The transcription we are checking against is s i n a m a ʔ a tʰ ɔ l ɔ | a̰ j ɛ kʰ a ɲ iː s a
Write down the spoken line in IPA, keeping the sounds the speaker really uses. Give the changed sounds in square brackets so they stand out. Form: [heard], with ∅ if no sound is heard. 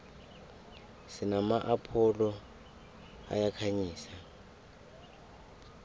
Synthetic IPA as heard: s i n a m a ʔ a [pʰ] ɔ l ɔ | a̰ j [a] kʰ a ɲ iː s a